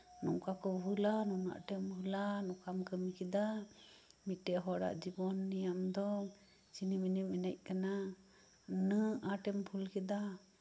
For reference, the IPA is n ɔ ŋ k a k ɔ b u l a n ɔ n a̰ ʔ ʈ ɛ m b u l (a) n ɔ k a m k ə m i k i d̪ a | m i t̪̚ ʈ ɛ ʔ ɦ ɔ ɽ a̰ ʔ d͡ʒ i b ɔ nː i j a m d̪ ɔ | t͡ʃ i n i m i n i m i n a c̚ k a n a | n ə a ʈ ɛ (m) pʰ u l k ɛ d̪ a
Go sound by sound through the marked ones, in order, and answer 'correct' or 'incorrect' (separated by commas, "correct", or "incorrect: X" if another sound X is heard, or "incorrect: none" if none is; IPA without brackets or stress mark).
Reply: correct, correct